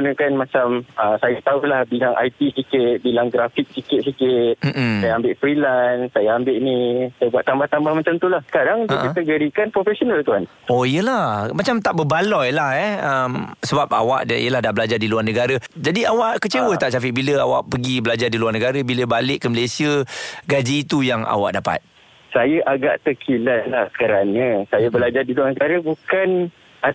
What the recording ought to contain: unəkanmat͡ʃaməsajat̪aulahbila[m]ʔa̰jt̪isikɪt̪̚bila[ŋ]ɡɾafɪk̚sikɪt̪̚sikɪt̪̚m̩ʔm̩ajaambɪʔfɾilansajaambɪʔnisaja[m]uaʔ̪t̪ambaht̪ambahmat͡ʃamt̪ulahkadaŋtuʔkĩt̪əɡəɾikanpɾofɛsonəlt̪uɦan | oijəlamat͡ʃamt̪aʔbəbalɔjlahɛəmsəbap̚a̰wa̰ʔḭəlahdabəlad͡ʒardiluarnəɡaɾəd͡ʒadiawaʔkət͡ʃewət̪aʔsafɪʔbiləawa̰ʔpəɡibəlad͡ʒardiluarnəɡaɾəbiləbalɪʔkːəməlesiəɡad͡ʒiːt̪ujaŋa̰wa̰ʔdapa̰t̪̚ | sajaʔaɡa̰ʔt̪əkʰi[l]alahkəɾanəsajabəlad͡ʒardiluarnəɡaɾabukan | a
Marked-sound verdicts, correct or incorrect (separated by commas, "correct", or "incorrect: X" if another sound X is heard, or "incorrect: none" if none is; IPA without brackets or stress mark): incorrect: ŋ, correct, incorrect: b, correct